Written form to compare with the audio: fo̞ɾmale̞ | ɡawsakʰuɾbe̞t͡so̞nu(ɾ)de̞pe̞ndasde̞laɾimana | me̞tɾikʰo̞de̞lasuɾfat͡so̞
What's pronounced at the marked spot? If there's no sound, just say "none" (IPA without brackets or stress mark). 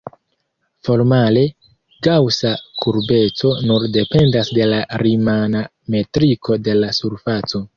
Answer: ɾ